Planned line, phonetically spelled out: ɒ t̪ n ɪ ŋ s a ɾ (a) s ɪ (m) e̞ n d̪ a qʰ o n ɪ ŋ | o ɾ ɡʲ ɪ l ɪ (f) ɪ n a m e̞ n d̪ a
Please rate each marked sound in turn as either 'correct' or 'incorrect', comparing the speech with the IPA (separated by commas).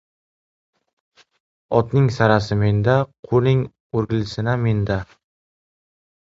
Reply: correct, correct, incorrect